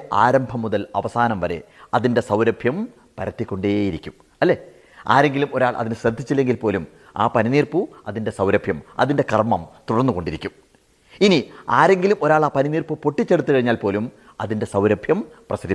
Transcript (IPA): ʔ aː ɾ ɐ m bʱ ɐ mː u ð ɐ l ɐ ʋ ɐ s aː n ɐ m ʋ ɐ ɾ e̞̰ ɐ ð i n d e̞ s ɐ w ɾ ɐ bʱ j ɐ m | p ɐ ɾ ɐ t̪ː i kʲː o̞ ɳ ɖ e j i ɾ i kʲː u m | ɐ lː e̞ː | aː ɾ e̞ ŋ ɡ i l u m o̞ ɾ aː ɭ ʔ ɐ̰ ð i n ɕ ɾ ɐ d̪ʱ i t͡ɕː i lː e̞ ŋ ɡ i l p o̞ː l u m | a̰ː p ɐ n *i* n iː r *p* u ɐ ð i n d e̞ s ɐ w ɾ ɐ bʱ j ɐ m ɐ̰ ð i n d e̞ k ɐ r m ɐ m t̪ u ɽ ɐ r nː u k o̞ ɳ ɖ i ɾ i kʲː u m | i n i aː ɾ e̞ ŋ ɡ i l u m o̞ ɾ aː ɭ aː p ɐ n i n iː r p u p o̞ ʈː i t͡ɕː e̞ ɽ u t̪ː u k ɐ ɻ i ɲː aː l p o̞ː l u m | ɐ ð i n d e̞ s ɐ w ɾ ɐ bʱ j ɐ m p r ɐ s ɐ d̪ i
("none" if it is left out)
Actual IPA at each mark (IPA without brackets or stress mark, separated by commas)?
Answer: i, p